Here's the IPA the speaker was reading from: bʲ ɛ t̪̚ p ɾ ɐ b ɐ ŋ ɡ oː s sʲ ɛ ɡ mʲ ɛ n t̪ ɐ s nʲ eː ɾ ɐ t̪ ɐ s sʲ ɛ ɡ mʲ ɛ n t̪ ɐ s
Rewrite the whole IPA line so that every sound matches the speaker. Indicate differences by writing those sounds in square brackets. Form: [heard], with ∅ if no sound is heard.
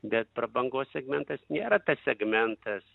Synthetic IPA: bʲ ɛ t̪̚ p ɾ ɐ b ɐ ŋ ɡ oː s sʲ ɛ ɡ mʲ ɛ n t̪ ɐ s nʲ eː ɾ ɐ t̪ ɐ s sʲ ɛ ɡ mʲ ɛ n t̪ ɐ s